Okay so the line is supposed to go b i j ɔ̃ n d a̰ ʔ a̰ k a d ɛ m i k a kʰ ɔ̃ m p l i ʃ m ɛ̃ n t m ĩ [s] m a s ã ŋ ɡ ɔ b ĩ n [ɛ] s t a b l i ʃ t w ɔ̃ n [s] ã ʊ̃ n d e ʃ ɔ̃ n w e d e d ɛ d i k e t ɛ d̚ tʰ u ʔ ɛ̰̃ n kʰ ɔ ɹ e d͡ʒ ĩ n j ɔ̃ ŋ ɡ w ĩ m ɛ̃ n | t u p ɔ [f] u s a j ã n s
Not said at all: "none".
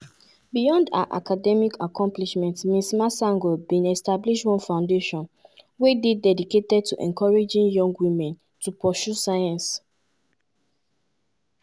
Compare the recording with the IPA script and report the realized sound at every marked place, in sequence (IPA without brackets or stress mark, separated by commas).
s, ɛ, f, ʃ